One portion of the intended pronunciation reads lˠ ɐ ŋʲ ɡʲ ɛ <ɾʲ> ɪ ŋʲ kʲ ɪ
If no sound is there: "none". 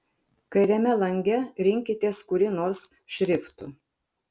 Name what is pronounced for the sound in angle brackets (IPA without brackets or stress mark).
ɾʲ